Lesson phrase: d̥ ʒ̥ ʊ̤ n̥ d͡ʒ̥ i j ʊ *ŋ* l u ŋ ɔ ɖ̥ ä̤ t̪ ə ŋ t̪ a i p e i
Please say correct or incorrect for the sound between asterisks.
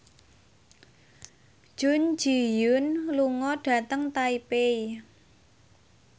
incorrect